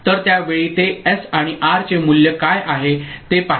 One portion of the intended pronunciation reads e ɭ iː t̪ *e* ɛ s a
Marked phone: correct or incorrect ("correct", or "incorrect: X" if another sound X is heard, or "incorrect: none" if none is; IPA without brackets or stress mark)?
correct